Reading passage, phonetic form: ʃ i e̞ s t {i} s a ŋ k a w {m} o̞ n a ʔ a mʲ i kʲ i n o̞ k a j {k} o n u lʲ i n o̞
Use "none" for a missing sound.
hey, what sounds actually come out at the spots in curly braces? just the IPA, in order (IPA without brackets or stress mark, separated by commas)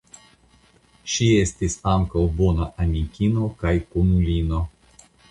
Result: i, b, k